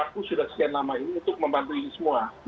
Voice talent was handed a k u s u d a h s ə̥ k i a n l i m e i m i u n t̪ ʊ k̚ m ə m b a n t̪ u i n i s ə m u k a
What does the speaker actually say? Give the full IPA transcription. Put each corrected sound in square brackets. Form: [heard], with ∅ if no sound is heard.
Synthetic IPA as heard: a k u s u d a h s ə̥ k i a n l [a] m [a] i [n] i u n t̪ ʊ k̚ m ə m b a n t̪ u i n i s ə m u [∅] a

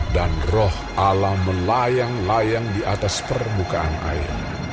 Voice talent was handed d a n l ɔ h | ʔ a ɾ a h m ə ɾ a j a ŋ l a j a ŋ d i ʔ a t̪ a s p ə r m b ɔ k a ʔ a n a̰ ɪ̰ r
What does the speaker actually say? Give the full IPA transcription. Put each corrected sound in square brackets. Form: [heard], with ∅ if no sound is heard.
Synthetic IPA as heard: d a n [r] ɔ h | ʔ a [l] a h m ə [l] a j a ŋ l a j a ŋ d i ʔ a t̪ a s p ə r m b [u] k a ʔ a n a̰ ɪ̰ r

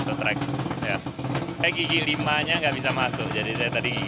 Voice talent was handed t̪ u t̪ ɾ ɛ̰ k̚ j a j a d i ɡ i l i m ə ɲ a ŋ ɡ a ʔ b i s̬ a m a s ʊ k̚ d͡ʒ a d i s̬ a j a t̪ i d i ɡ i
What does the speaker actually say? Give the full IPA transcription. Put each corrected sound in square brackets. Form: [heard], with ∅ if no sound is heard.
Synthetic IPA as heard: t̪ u t̪ ɾ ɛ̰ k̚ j a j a [ɡ] i ɡ i l i m [a] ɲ a ŋ ɡ a ʔ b i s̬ a m a s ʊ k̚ d͡ʒ a d i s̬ a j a t̪ [a] d i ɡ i

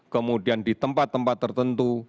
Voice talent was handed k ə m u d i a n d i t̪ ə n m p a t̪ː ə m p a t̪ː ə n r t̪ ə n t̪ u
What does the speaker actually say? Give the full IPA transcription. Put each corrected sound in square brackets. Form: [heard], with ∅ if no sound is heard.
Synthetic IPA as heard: k ə m u d i a n d i t̪ ə [∅] m p a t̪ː ə m p a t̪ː ə [∅] r t̪ ə n t̪ u

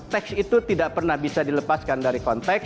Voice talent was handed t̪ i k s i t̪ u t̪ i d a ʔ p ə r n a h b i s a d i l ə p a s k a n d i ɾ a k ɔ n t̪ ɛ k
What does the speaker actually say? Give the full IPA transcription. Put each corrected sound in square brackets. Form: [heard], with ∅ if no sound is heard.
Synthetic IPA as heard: t̪ [ɛ] k s i t̪ u t̪ i d a ʔ p ə r n a h b i s a d i l ə p a s k a n d [a] ɾ [i] k ɔ n t̪ ɛ k

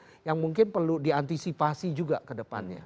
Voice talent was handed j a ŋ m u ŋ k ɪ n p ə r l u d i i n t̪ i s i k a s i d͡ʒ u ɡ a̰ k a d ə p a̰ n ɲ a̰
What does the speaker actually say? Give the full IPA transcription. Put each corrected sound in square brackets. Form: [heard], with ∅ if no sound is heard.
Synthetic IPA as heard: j a ŋ m u ŋ k ɪ n p ə r l u d i [a] n t̪ i s i [p] a s i d͡ʒ u ɡ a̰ k [ə] d ə p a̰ n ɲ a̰

